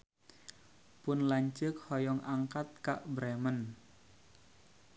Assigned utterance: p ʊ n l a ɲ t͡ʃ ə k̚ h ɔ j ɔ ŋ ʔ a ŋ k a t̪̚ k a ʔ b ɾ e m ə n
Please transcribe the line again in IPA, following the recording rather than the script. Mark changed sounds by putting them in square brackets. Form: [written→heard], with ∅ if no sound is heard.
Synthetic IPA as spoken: p ʊ n l a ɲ t͡ʃ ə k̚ h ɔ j ɔ ŋ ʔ a ŋ k a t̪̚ k a ʔ b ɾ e m ə n